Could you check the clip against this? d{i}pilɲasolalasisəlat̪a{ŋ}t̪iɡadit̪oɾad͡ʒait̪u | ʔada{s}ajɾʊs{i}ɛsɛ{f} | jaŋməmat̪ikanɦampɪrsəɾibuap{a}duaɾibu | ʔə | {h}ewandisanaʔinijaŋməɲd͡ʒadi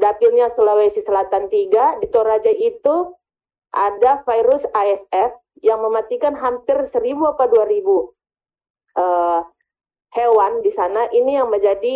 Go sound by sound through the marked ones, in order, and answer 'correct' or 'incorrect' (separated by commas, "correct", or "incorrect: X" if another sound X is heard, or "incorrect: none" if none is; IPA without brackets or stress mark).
incorrect: a, incorrect: n, incorrect: f, incorrect: a, correct, correct, correct